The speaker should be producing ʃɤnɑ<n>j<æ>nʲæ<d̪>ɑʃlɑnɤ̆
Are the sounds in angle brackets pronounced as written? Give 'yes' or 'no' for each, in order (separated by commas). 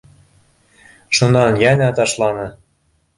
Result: yes, yes, no